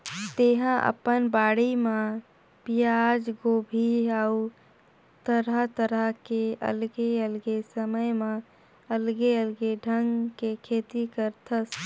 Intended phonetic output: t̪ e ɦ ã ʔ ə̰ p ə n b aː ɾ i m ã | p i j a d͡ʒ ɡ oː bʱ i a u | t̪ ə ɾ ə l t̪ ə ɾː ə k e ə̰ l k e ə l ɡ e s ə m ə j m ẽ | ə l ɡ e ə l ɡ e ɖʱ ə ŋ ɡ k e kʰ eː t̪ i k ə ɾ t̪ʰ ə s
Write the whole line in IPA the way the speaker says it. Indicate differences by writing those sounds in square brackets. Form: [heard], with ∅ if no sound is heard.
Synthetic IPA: t̪ e ɦ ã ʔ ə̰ p ə n b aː [ɽ] i m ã | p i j a d͡ʒ ɡ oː bʱ i a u | t̪ ə ɾ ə [∅] t̪ ə [ɾ] ə k e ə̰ l [ɡ] e ə l ɡ e s ə m ə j m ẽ | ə l ɡ e ə l ɡ e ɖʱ ə ŋ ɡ k e kʰ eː t̪ i k ə ɾ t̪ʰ ə s